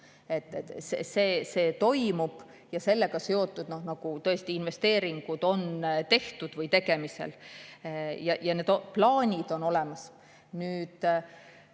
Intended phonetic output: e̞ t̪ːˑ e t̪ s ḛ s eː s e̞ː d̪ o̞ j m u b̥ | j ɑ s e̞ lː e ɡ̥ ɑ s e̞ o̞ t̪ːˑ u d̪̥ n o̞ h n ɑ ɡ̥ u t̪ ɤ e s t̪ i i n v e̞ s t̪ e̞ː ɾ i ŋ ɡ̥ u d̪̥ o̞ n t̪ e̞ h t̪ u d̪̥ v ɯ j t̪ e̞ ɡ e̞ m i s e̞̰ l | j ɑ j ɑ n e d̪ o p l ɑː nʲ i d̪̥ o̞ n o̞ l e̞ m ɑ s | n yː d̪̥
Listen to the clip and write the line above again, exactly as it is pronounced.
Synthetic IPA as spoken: e̞ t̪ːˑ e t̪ s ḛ s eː s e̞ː t̪ o̞ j m u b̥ | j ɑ s e̞ lː e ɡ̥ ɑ s e̞ o̞ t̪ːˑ u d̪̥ n o̞ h n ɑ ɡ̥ u t̪ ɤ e s t̪ i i n v e̞ s t̪ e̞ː ɾ i ŋ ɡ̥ u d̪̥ o̞ n t̪ e̞ h t̪ u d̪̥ v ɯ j t̪ e̞ ɡ e̞ m i s e̞̰ l | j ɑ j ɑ n e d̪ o p l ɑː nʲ i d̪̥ o̞ n o̞ l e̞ m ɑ s | n yː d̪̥